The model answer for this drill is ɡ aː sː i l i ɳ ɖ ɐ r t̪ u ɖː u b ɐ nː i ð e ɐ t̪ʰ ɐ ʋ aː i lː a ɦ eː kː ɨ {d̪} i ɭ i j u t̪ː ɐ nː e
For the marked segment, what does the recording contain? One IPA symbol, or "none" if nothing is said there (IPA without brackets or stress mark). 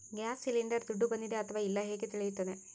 t̪